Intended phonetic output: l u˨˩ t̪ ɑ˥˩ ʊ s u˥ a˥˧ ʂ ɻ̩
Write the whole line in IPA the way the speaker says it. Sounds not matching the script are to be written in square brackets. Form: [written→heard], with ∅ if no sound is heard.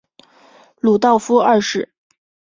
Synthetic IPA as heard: l u˨˩ t̪ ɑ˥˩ ʊ [s→f] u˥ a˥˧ ʂ ɻ̩

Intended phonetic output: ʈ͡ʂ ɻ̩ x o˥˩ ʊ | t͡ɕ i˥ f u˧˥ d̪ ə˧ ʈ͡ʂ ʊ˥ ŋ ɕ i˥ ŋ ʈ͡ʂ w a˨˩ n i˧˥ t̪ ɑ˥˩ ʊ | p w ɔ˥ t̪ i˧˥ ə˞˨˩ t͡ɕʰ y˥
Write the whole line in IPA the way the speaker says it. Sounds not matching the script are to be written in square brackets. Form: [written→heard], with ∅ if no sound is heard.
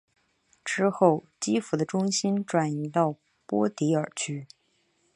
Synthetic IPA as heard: ʈ͡ʂ ɻ̩ x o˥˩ ʊ | t͡ɕ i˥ f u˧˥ d̪ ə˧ ʈ͡ʂ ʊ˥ ŋ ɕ i˥ [ŋ→n] ʈ͡ʂ w a˨˩ n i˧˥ t̪ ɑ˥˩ ʊ | p w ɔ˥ t̪ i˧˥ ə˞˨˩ t͡ɕʰ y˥

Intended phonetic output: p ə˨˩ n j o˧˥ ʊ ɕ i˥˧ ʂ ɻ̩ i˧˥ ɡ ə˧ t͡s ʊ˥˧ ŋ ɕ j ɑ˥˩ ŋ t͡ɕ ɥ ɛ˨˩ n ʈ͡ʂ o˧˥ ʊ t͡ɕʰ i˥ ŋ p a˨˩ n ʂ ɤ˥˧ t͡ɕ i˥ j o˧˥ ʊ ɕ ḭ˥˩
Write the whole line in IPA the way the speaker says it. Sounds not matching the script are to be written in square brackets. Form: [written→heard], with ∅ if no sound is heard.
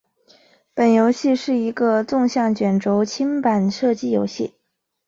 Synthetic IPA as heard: p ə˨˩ n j o˧˥ ʊ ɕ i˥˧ ʂ ɻ̩ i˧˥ ɡ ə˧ t͡s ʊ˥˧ ŋ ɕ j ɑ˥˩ ŋ t͡ɕ ɥ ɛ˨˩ n ʈ͡ʂ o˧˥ ʊ t͡ɕʰ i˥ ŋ p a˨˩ n ʂ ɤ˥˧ t͡ɕ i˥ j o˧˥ ʊ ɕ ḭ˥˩

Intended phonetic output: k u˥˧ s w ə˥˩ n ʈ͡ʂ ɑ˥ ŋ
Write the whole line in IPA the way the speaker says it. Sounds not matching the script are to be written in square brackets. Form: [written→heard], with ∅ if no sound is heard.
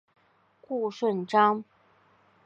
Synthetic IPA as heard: k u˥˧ [s→ʂ] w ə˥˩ n ʈ͡ʂ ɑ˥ ŋ

